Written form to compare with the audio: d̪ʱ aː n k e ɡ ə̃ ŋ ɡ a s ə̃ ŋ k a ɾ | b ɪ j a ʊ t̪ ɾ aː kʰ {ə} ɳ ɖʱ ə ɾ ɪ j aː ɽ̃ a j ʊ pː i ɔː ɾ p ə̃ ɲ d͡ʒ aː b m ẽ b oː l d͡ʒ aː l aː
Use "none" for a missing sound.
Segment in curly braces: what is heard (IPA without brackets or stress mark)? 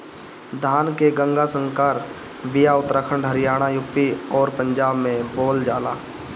ə